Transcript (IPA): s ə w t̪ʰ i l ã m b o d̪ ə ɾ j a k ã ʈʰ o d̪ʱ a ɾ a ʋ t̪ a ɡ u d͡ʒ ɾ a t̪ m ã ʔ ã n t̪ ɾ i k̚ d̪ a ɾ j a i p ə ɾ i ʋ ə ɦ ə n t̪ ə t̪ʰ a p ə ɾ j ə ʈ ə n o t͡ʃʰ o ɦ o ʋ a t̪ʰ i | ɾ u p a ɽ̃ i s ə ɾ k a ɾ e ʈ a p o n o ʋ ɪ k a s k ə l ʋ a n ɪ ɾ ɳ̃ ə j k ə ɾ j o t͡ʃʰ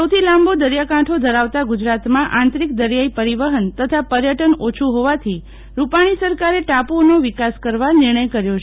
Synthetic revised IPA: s ə w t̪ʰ i l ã m b o d̪ ə ɾ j a k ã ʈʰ o d̪ʱ ə ɾ a ʋ t̪ a ɡ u d͡ʒ ɾ a t̪ m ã ʔ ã n t̪ ɾ i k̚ d̪ ə ɾ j a i p ə ɾ i ʋ ə ɦ ə n t̪ ə t̪ʰ a p ə ɾ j ə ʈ ə n o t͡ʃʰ u ɦ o ʋ a t̪ʰ i | ɾ u p a ɽ̃ i s ə ɾ k a ɾ e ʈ a p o n o ʋ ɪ k a s k ə ɾ ʋ a n ɪ ɾ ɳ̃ ə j k ə ɾ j o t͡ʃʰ